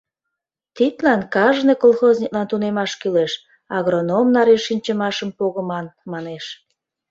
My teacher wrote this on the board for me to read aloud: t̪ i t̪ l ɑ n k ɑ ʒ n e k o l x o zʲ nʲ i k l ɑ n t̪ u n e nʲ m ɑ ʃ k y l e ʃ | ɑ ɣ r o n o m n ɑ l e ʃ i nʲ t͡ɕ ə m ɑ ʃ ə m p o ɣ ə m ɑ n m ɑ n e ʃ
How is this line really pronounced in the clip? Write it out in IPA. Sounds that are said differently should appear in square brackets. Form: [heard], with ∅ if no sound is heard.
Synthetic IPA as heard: t̪ i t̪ l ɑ n k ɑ ʒ n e k o l x o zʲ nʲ i k l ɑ n t̪ u n e [∅] m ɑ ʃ k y l e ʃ | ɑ ɣ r o n o m n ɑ [ɾ] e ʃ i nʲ t͡ɕ ə m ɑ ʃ ə m p o ɣ ə m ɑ n m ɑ n e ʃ

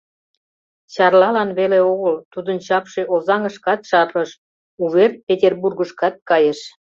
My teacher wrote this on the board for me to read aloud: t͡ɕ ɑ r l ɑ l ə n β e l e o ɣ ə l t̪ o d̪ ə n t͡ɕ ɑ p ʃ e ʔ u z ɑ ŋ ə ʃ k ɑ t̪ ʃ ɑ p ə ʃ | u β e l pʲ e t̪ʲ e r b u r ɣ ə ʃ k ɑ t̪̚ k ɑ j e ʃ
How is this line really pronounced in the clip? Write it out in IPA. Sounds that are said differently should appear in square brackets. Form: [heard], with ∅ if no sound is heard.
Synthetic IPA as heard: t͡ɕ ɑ r l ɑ l [ɑ] n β e l e o ɣ ə l t̪ [u] d̪ ə n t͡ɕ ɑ p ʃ e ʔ [o] z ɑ ŋ ə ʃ k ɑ t̪ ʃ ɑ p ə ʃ | u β e [r] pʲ e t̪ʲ e r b u r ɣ ə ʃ k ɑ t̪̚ k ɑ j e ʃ

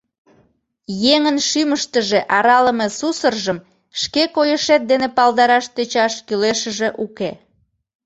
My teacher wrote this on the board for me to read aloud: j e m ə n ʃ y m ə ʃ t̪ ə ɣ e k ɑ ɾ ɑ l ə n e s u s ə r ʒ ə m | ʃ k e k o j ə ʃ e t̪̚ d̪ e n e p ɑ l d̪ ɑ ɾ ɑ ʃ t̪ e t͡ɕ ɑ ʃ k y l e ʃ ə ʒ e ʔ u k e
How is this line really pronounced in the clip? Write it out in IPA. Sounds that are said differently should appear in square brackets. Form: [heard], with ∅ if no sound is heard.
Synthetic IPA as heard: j e [ŋ] ə n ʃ y m ə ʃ t̪ ə [ʒ] e [ʔ] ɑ ɾ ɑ l ə [m] e s u s ə r ʒ ə m | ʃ k e k o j ə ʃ e t̪̚ d̪ e n e p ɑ l d̪ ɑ ɾ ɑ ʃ t̪ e t͡ɕ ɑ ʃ k y l e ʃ ə ʒ e ʔ u k e

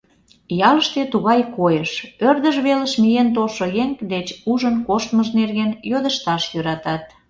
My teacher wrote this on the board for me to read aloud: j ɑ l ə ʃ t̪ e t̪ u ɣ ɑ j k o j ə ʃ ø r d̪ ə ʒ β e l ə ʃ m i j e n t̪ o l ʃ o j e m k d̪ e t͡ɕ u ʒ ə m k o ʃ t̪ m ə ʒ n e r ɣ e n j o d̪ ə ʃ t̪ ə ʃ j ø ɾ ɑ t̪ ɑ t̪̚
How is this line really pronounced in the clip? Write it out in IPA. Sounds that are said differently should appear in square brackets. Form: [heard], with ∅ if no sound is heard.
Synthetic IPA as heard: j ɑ l ə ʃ t̪ e t̪ u ɣ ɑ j k o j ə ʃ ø r d̪ ə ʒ β e l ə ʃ m i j e n t̪ o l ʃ o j e [ŋ] k d̪ e t͡ɕ u ʒ ə [n] k o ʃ t̪ m ə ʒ n e r ɣ e n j o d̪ ə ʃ t̪ [ɑ] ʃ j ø ɾ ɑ t̪ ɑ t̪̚

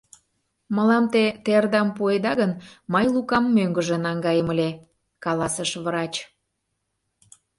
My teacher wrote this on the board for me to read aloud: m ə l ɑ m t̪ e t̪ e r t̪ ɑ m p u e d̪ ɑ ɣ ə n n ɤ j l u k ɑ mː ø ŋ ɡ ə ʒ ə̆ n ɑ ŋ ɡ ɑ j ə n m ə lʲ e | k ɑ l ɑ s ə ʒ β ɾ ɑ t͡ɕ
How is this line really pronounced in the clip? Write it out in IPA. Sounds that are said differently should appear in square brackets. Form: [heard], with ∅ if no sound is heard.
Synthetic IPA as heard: m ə l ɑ m t̪ e t̪ e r [d̪] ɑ m p u e d̪ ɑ ɣ ə n [m] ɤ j l u k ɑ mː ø ŋ ɡ ə ʒ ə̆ n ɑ ŋ ɡ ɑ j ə [∅] m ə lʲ e | k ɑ l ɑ s ə [ʃ] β ɾ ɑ t͡ɕ

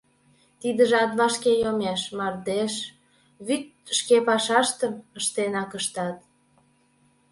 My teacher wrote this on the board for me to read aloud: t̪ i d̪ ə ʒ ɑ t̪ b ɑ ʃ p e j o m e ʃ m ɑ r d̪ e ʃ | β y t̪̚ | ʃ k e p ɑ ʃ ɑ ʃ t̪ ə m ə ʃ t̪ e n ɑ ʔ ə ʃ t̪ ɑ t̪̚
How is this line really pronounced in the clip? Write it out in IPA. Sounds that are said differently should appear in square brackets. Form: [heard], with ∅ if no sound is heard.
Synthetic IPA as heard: t̪ i d̪ ə ʒ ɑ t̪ [β] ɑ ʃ [k] e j o m e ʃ m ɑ r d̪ e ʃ | β y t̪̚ | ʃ k e p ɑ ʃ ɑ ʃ t̪ ə m ə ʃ t̪ e n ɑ [k] ə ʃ t̪ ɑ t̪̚

